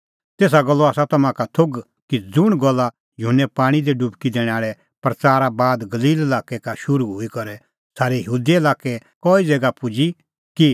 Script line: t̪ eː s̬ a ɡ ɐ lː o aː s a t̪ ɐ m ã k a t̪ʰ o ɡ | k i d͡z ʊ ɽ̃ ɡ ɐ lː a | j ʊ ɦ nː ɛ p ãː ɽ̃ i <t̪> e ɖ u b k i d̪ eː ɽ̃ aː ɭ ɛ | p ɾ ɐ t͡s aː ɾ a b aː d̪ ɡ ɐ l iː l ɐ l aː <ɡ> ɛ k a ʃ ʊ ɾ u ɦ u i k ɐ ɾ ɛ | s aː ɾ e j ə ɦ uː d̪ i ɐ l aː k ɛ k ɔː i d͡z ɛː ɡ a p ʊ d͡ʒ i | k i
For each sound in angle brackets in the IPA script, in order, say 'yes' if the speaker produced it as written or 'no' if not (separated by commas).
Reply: no, no